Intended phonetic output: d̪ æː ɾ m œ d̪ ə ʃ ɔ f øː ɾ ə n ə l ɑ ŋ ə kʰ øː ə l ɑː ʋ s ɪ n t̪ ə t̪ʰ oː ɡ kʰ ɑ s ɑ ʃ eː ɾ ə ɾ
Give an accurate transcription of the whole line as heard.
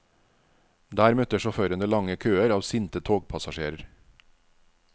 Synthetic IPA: d̪ æː ɾ m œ t̪ ə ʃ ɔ f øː ɾ ə n ə l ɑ ŋ ə kʰ øː ə ɾ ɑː ʋ s ɪ n t̪ ə t̪ʰ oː ɡ pʰ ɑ s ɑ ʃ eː ɾ ə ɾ